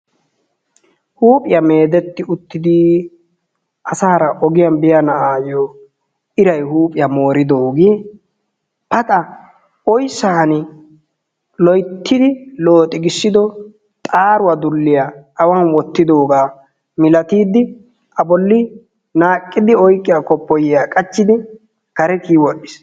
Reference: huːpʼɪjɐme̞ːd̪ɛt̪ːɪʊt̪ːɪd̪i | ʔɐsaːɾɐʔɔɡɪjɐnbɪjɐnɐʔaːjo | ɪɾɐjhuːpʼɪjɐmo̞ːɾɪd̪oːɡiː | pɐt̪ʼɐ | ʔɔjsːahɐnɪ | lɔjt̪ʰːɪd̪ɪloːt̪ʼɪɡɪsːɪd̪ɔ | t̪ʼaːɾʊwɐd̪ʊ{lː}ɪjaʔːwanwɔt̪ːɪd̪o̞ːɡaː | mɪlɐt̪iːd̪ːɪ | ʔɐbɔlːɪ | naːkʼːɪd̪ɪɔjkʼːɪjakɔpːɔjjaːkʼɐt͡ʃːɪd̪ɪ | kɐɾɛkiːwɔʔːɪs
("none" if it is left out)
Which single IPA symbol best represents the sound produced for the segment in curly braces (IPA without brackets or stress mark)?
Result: lː